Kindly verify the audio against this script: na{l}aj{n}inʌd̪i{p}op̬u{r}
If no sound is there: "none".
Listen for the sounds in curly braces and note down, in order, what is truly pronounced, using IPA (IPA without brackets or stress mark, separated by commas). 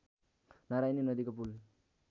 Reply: ɾ, n, k, l